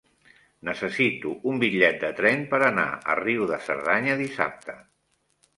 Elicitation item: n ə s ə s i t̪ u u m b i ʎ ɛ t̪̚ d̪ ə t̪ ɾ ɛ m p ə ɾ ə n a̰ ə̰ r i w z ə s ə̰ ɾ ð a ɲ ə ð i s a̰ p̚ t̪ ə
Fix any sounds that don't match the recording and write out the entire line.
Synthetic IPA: n ə s ə s i t̪ u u m b i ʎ ɛ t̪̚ d̪ ə t̪ ɾ ɛ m p ə ɾ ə n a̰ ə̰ r i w ð ə s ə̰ ɾ ð a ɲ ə ð i s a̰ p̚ t̪ ə